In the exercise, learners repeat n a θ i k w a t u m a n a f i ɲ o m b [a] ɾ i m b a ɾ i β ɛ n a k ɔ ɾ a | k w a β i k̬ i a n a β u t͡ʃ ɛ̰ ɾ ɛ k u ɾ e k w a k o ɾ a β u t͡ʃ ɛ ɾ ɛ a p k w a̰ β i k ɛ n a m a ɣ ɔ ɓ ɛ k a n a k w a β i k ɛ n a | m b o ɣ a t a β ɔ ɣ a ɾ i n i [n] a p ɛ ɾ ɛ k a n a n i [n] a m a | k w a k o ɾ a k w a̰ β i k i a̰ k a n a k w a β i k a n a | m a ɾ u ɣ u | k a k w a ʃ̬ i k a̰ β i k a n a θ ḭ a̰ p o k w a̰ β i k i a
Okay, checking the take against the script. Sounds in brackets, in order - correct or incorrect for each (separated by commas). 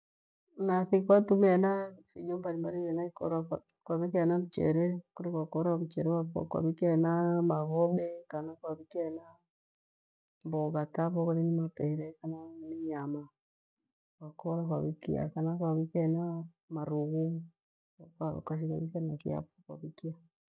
correct, incorrect, incorrect